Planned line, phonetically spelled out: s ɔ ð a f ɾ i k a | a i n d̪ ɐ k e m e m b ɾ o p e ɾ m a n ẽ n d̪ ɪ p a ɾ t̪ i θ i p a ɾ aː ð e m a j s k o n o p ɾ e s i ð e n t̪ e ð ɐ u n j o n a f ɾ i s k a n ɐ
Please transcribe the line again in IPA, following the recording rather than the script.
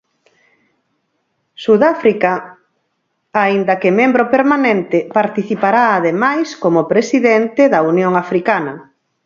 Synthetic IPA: s u ð a f ɾ i k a | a i n d̪ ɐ k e m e m b ɾ o p e ɾ m a n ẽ n t̪ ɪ p a ɾ t̪ i θ i p a ɾ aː ð e m a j s k o m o p ɾ e s i ð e n t̪ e ð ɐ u n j o ŋ a f ɾ i k a n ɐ